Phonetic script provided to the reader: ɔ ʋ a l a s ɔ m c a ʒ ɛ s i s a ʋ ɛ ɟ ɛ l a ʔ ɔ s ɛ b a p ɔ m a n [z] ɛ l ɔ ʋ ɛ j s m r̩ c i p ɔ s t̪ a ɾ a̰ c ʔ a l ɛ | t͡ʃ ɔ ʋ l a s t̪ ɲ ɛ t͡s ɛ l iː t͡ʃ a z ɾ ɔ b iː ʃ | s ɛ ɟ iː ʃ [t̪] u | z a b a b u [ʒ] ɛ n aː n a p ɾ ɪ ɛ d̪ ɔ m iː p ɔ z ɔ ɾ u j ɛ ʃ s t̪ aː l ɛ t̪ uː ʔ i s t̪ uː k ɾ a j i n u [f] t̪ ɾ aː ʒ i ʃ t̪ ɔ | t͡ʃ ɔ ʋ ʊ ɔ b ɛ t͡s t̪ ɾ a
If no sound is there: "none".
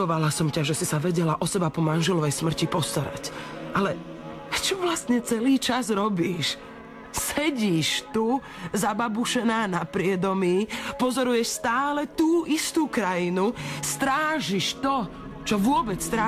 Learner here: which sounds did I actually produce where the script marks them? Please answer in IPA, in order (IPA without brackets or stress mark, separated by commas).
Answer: ʒ, t̪, ʃ, s